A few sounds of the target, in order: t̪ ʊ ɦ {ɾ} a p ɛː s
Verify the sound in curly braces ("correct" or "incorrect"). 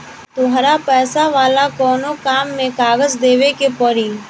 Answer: correct